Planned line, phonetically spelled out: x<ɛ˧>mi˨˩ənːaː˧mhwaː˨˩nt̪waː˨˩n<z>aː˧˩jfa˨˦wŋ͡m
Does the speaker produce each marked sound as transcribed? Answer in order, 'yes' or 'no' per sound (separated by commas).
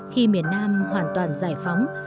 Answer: no, yes